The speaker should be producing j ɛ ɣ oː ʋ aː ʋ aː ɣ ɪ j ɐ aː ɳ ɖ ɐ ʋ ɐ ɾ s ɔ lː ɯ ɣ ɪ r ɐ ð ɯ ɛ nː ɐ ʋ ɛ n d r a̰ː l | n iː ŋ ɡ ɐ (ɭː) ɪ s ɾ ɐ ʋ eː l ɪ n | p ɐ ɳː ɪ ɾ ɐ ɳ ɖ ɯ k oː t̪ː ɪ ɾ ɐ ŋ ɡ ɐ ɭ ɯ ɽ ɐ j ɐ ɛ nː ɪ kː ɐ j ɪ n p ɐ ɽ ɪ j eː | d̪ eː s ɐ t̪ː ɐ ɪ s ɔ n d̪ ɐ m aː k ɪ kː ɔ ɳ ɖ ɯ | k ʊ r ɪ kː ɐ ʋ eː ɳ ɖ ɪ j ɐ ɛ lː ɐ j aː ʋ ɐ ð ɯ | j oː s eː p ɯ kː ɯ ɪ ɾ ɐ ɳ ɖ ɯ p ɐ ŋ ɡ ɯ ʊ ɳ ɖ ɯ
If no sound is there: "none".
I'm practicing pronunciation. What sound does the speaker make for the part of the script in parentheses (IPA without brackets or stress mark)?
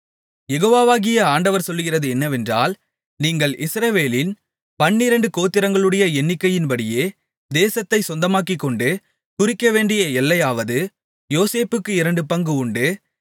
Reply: ɭ